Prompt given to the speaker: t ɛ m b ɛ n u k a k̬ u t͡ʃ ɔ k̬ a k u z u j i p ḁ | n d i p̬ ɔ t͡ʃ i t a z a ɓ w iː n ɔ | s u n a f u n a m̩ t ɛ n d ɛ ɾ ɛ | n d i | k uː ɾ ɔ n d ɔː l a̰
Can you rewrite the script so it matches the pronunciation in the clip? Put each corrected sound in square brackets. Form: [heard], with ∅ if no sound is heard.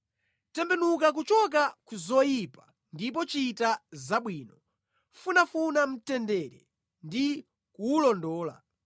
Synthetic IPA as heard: t ɛ m b ɛ n u k a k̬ u t͡ʃ ɔ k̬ a k u z [ɔ] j i p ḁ | n d i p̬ ɔ t͡ʃ i t a z a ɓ w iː n ɔ | [f] u n a f u n a m̩ t ɛ n d ɛ ɾ ɛ | n d i | k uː [l] ɔ n d ɔː l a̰